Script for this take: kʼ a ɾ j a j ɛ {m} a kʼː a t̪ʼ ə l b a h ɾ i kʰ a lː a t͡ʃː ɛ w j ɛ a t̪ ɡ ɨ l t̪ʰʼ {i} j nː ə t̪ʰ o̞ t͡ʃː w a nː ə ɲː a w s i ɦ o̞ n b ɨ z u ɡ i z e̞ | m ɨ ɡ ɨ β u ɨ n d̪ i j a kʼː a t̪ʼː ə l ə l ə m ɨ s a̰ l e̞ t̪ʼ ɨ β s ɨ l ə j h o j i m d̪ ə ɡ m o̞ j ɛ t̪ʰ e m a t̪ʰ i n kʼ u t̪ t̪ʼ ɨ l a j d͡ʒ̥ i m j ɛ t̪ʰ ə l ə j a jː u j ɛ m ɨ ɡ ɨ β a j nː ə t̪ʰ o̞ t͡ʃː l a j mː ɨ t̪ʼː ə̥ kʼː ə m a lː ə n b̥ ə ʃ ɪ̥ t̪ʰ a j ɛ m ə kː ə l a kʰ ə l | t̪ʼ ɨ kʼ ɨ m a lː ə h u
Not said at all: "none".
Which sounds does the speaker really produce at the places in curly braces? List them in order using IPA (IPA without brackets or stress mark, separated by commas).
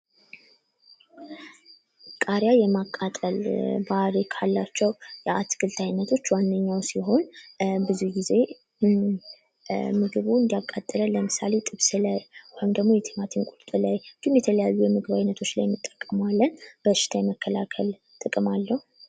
m, a